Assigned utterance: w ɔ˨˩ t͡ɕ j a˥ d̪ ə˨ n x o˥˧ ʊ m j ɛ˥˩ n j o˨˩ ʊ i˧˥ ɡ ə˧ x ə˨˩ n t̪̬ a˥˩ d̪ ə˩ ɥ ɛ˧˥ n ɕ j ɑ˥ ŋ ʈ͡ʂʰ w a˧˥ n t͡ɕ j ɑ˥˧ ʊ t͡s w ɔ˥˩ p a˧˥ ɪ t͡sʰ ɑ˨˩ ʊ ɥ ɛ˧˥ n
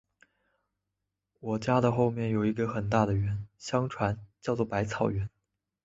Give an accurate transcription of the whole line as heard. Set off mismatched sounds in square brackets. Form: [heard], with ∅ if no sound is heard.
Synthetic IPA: w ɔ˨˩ t͡ɕ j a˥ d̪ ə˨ [∅] x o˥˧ ʊ m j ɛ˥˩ n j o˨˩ ʊ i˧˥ ɡ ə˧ x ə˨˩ n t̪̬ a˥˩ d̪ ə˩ ɥ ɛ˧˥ n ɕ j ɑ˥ ŋ ʈ͡ʂʰ w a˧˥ n t͡ɕ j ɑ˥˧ ʊ t͡s w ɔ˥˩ p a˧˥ ɪ t͡sʰ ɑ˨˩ ʊ ɥ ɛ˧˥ n

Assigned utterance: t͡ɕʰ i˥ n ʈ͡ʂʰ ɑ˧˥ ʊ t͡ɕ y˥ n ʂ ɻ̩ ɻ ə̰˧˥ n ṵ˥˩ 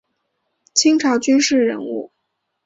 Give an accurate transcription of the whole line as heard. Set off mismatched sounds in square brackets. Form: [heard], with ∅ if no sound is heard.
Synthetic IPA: t͡ɕʰ i˥ [ŋ] ʈ͡ʂʰ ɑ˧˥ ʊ t͡ɕ y˥ n ʂ ɻ̩ ɻ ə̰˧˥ n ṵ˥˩

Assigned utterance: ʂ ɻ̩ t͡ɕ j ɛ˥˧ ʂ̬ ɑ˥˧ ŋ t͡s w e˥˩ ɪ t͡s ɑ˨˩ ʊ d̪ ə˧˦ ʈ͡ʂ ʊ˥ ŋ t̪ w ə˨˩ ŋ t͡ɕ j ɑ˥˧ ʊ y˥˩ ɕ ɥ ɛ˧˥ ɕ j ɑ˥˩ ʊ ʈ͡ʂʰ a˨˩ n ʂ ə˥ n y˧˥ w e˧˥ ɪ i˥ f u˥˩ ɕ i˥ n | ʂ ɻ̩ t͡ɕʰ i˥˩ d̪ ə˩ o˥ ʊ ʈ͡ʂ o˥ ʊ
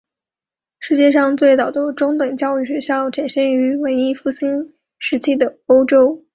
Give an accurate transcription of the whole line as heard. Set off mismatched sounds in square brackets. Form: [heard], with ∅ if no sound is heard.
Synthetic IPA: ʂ ɻ̩ t͡ɕ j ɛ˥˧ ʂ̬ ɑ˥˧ ŋ t͡s w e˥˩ ɪ t͡s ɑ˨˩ ʊ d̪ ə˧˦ ʈ͡ʂ ʊ˥ ŋ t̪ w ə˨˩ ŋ t͡ɕ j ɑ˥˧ ʊ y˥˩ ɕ ɥ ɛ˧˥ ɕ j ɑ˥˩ ʊ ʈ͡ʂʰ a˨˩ n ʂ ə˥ n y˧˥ w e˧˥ ɪ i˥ f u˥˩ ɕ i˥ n | ʂ ɻ̩ t͡ɕʰ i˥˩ d̪ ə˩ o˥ ʊ ʈ͡ʂ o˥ ʊ

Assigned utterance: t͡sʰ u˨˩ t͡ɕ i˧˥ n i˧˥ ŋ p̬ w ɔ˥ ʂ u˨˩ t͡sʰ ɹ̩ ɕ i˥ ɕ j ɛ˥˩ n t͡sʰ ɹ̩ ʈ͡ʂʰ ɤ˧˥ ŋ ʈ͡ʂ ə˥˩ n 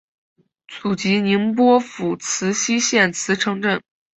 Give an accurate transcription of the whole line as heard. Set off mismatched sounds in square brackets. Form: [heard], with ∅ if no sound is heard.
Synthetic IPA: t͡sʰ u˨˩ t͡ɕ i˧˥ n i˧˥ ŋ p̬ w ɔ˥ [f] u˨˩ t͡sʰ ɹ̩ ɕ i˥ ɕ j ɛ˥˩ n t͡sʰ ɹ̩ ʈ͡ʂʰ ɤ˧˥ ŋ ʈ͡ʂ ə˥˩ n

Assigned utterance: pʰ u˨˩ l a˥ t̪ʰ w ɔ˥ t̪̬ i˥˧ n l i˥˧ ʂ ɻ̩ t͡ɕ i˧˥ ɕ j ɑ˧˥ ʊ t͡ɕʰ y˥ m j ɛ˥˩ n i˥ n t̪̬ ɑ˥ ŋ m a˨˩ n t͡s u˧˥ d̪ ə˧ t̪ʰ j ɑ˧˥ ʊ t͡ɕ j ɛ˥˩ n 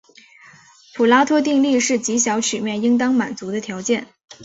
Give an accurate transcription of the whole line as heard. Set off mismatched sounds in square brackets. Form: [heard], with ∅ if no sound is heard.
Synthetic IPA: pʰ u˨˩ l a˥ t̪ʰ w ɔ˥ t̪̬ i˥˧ [ŋ] l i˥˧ ʂ ɻ̩ t͡ɕ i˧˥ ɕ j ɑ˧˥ ʊ t͡ɕʰ [y˨˩] m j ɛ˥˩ n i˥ [ŋ] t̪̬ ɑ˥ ŋ m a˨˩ n t͡s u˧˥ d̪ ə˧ t̪ʰ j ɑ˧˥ ʊ t͡ɕ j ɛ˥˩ n

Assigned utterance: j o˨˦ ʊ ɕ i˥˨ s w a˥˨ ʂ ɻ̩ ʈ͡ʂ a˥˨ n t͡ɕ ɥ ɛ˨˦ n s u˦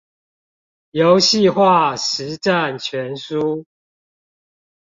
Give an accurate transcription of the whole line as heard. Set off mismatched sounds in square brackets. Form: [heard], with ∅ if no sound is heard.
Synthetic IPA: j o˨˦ ʊ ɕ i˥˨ [x] w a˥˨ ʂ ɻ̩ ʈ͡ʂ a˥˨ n [t͡ɕʰ] ɥ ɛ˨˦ n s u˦

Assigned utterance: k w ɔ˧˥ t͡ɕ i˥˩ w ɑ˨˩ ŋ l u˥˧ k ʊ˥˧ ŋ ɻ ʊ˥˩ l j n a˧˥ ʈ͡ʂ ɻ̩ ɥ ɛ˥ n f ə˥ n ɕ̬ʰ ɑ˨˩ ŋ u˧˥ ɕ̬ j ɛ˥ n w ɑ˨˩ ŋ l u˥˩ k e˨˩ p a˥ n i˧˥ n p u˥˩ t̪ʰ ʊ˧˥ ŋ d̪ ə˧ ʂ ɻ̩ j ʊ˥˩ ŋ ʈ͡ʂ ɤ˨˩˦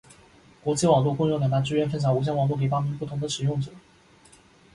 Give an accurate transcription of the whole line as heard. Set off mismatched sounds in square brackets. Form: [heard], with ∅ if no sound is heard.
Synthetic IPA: k w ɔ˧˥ t͡ɕ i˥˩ w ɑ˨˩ ŋ l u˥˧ k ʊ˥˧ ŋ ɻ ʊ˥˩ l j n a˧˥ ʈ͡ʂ ɻ̩ ɥ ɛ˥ n f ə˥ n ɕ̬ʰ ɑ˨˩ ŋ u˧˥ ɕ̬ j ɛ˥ n w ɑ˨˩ ŋ l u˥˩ k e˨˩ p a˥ [m] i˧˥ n p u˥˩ t̪ʰ ʊ˧˥ ŋ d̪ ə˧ ʂ ɻ̩ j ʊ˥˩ ŋ ʈ͡ʂ ɤ˨˩˦

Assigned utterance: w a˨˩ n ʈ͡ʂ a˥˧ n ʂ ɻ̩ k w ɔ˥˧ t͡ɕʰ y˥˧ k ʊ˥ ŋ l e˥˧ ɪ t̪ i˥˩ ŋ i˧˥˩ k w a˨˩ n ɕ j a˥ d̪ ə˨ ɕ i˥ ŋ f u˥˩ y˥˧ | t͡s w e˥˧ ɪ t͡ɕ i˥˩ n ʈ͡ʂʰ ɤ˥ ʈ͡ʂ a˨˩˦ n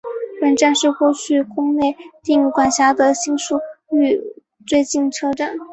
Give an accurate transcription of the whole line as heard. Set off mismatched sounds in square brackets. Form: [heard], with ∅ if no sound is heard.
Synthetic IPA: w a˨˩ n ʈ͡ʂ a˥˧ n ʂ ɻ̩ k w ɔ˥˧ t͡ɕʰ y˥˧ k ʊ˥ ŋ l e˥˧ ɪ t̪ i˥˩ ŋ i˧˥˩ k w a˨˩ n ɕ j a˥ d̪ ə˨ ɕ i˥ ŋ [ʂ] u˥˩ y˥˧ | t͡s w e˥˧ ɪ t͡ɕ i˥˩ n ʈ͡ʂʰ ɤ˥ ʈ͡ʂ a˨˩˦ n

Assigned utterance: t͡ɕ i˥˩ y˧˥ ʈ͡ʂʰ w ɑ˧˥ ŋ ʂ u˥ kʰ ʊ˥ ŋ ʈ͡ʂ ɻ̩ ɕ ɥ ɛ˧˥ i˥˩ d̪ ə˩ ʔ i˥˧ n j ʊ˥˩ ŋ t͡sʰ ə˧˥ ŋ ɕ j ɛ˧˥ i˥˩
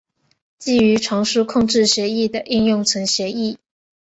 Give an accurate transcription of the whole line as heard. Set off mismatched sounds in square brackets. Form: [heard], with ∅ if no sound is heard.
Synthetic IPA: t͡ɕ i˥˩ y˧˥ ʈ͡ʂʰ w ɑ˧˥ ŋ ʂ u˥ kʰ [ʊ˥˧] ŋ ʈ͡ʂ ɻ̩ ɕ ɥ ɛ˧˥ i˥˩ d̪ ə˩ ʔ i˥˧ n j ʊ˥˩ ŋ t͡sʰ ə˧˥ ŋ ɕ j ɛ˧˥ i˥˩

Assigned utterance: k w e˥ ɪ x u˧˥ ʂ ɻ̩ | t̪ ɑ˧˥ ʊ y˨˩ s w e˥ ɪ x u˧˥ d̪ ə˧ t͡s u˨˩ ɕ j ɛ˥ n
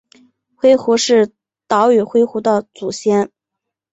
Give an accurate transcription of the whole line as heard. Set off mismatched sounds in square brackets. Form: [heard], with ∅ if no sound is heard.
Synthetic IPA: [x] w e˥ ɪ x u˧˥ ʂ ɻ̩ | t̪ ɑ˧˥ ʊ y˨˩ [x] w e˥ ɪ x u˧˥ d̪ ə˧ t͡s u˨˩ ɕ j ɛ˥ n

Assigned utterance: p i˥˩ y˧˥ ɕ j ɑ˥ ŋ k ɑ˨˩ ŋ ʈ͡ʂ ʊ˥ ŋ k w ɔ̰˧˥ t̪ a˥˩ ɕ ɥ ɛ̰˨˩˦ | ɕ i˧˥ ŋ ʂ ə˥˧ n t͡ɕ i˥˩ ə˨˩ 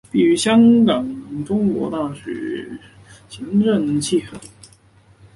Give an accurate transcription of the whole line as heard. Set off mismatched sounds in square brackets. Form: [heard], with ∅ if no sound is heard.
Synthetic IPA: p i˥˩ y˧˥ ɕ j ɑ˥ ŋ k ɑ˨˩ ŋ ʈ͡ʂ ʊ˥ ŋ k w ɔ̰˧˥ t̪ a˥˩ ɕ ɥ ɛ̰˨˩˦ | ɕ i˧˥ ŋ [ʈ͡ʂ] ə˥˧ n [t͡ɕʰ] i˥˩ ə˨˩

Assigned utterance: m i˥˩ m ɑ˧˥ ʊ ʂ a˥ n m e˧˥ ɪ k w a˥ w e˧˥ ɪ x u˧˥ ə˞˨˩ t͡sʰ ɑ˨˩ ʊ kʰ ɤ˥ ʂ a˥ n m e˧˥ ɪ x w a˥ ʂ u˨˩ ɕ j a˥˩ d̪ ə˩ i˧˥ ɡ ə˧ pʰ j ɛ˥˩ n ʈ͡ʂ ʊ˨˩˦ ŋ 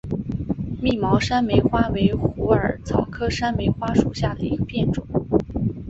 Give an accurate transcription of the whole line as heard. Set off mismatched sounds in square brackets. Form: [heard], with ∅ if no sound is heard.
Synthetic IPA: m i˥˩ m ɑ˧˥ ʊ ʂ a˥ n m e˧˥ ɪ [x] w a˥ w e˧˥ ɪ x u˧˥ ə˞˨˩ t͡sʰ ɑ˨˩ ʊ kʰ ɤ˥ ʂ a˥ n m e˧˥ ɪ x w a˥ ʂ u˨˩ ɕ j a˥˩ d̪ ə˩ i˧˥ ɡ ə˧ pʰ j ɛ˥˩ n ʈ͡ʂ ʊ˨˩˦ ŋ

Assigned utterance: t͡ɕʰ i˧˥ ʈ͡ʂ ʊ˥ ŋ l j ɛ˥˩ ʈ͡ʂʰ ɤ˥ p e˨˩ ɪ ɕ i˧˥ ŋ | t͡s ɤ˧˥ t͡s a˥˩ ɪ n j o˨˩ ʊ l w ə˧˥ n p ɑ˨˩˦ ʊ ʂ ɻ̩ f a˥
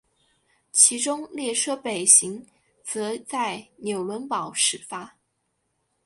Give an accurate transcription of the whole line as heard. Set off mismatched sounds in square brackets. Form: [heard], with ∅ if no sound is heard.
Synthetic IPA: t͡ɕʰ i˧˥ ʈ͡ʂ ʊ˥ ŋ l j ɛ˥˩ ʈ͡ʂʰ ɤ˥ p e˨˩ ɪ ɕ i˧˥ ŋ | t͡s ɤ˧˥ t͡s a˥˩ ɪ n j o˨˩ ʊ l w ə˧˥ n p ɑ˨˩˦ ʊ ʂ ɻ̩ f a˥

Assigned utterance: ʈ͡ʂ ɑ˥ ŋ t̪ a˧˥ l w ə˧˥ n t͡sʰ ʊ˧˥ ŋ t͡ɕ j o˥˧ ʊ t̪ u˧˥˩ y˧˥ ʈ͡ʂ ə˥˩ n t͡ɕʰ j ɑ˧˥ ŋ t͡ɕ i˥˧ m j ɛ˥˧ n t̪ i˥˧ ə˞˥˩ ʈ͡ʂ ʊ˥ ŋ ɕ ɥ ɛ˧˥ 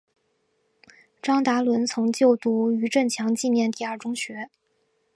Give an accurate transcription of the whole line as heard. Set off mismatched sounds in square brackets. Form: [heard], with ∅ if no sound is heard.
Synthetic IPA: ʈ͡ʂ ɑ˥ ŋ t̪ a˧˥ l w ə˧˥ n t͡sʰ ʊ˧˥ ŋ t͡ɕ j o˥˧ ʊ t̪ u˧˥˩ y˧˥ ʈ͡ʂ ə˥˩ n t͡ɕʰ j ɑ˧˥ ŋ t͡ɕ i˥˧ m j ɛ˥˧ n t̪ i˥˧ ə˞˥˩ ʈ͡ʂ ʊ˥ ŋ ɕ ɥ ɛ˧˥

